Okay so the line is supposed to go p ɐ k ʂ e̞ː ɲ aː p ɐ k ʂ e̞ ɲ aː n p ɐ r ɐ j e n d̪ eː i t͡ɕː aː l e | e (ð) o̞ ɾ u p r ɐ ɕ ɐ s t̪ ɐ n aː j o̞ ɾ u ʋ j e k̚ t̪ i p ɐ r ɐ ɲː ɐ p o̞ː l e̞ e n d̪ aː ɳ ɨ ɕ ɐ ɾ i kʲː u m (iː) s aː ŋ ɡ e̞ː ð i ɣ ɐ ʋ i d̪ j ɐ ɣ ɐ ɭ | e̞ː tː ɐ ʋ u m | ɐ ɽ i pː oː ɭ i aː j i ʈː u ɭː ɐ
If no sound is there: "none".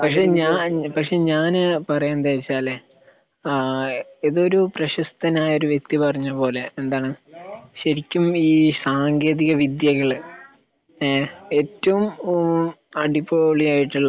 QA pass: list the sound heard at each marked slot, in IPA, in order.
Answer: ð, iː

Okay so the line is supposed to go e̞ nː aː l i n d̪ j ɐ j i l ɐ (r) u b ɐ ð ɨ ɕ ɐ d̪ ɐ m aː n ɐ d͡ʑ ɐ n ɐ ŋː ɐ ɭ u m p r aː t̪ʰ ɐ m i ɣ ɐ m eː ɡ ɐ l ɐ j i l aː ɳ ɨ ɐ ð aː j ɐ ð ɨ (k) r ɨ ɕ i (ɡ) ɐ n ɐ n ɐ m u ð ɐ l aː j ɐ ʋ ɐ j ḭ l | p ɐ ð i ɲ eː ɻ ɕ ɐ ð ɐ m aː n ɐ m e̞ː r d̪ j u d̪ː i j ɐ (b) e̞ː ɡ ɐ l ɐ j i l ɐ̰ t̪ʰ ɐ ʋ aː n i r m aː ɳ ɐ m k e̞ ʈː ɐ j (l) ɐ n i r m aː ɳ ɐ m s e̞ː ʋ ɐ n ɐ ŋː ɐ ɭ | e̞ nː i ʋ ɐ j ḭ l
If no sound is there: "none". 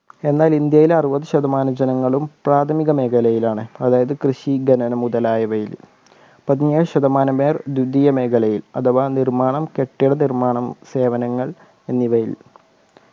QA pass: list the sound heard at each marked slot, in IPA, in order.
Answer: r, k, ɡ, m, ɽ

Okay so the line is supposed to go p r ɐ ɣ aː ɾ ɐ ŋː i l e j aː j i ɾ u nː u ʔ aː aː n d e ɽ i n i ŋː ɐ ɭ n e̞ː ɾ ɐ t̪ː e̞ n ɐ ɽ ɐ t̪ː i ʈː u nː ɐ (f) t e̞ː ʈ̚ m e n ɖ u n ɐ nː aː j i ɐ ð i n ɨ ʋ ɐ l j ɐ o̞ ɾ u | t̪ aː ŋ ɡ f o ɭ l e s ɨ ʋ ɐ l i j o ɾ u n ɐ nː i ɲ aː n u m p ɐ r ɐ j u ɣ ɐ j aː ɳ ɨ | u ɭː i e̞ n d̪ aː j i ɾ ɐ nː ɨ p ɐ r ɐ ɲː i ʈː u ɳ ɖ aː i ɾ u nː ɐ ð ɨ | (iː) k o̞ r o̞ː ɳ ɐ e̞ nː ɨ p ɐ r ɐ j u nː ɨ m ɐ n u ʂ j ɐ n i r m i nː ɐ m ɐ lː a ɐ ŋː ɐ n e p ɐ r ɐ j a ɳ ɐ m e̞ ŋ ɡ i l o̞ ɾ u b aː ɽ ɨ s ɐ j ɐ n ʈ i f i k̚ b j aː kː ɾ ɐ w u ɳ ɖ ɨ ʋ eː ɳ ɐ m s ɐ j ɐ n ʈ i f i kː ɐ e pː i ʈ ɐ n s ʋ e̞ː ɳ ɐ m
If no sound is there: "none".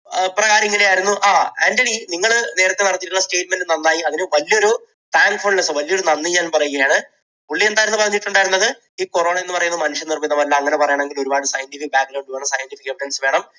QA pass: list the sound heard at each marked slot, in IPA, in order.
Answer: s, iː

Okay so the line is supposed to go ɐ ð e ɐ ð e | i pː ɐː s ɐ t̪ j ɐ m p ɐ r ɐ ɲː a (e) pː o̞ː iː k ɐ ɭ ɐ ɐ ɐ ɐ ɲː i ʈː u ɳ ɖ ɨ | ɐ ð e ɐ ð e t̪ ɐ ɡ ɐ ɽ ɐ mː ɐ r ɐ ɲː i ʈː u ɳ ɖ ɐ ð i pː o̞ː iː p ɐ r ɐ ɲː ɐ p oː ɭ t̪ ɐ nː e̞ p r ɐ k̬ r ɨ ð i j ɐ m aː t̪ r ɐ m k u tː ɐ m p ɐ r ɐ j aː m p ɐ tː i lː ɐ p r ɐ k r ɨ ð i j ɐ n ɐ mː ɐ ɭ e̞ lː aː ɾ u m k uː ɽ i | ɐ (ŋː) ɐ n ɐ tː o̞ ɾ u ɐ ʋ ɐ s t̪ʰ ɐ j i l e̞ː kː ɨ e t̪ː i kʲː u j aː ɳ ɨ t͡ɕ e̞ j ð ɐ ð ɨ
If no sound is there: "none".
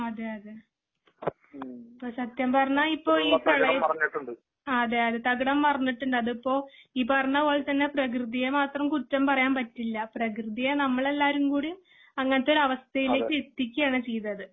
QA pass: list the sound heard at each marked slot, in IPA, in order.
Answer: i, ŋː

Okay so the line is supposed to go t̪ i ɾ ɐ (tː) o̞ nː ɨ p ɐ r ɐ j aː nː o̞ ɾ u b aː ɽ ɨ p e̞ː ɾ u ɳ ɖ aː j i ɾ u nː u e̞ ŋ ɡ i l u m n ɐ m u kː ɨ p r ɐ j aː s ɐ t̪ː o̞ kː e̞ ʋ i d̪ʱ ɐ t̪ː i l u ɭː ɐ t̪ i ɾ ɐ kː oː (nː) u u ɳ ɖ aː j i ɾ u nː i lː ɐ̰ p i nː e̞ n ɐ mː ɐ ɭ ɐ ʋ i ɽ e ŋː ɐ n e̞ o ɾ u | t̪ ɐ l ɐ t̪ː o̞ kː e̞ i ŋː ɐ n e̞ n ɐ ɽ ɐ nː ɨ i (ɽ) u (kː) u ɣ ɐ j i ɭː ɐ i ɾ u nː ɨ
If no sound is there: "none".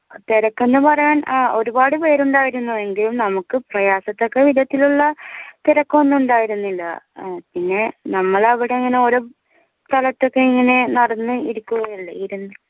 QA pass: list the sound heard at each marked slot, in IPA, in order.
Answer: kː, nː, ɾ, kː

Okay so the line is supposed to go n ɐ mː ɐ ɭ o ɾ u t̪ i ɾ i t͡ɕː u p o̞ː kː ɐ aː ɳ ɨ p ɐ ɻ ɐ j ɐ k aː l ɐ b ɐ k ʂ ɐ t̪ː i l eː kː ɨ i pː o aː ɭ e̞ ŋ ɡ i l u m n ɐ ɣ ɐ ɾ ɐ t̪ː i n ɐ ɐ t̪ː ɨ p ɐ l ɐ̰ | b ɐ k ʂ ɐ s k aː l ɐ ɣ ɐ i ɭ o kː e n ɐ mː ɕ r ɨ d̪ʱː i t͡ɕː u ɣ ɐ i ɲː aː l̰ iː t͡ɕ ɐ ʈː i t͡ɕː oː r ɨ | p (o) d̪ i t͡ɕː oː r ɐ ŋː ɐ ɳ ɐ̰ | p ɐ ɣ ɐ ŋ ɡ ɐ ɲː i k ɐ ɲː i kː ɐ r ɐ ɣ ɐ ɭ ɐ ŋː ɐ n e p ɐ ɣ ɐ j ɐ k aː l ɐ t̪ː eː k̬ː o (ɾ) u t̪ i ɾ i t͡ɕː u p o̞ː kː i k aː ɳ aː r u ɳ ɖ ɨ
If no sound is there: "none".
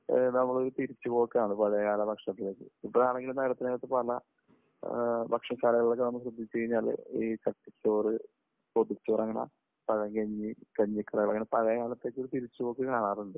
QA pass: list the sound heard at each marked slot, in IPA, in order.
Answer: o, ɾ

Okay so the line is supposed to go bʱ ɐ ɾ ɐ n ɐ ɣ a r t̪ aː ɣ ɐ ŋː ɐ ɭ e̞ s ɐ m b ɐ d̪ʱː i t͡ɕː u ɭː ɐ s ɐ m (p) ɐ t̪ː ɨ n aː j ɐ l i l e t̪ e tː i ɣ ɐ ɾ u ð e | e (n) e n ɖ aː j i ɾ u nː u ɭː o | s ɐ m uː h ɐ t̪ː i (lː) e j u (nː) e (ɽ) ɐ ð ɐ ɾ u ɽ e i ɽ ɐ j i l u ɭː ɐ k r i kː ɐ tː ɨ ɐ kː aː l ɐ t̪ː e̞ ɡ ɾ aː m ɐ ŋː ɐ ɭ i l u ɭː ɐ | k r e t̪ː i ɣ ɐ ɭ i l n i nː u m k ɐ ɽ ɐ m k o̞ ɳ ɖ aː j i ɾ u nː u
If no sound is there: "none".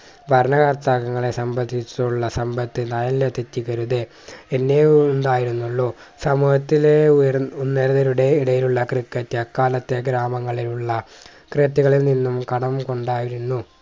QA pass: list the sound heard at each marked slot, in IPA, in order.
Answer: b, nː, l, nː, ɾ

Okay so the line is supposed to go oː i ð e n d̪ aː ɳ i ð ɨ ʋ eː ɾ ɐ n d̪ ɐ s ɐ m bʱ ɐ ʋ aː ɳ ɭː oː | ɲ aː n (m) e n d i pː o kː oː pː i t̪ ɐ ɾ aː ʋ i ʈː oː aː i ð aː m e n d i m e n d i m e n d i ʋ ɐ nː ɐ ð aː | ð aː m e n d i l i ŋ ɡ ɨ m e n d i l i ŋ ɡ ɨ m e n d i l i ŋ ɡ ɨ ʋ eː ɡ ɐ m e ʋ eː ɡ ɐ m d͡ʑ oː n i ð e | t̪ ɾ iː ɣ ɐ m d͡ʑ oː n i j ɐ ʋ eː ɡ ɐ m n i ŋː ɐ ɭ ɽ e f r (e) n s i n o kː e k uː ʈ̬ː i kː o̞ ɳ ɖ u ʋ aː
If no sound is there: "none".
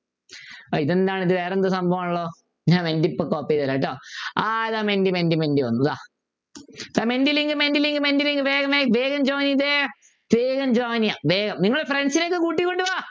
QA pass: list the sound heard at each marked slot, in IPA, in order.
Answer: m, e

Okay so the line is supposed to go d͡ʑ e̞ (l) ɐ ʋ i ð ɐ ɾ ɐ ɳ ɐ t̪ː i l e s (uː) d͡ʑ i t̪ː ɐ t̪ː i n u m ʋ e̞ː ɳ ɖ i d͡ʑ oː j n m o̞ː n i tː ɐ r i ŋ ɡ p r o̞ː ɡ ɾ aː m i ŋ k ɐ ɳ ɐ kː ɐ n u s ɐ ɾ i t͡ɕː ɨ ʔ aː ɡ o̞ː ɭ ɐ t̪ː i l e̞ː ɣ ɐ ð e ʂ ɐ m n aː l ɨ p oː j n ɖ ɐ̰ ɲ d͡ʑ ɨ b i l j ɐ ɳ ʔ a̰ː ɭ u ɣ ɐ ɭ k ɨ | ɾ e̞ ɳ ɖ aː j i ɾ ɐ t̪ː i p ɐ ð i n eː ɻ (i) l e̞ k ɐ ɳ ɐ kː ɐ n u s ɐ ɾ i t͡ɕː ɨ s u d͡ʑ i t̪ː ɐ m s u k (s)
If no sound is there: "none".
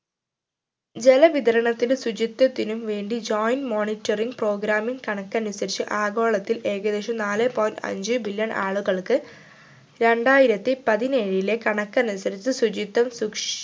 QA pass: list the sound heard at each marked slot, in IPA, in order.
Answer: l, u, i, ʂ

